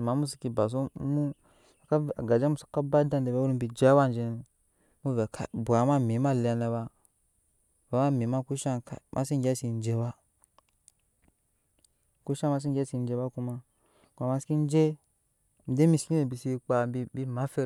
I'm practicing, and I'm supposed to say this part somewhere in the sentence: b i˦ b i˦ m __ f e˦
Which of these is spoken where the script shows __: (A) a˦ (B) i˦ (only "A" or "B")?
A